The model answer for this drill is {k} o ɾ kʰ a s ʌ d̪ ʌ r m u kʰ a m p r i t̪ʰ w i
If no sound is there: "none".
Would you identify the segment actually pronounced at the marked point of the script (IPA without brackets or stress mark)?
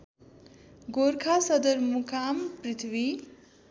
ɡ